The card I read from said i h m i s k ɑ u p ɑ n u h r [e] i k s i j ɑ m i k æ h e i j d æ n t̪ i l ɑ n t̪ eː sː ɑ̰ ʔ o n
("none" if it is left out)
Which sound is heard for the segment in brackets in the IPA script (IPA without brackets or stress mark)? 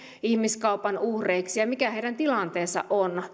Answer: e